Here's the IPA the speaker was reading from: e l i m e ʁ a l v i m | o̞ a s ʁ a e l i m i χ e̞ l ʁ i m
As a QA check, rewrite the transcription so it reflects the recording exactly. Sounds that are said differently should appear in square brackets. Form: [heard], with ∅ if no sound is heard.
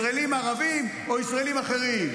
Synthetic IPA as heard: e l i m [a] ʁ a [∅] v i m | o̞ [i] s ʁ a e l i m [a] χ e̞ [∅] ʁ i m